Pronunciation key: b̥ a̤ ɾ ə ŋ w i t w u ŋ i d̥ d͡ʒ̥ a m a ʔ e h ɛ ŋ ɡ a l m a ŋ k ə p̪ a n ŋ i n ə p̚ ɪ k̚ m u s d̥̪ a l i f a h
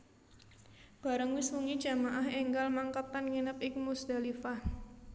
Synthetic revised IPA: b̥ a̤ ɾ ə ŋ w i s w u ŋ i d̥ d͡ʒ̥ a m a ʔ a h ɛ ŋ ɡ a l m a ŋ k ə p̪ a n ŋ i n ə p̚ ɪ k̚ m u s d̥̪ a l i f a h